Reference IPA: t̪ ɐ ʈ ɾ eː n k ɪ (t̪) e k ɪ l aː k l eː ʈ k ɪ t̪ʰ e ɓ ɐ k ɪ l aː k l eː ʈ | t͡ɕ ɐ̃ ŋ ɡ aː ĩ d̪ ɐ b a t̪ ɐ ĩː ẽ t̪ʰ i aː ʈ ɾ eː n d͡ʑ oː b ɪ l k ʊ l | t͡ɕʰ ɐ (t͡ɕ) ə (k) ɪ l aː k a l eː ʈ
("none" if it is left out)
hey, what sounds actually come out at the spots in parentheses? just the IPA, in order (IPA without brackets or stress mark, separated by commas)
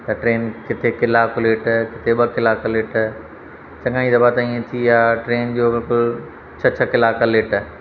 t̪ʰ, t͡ɕʰ, k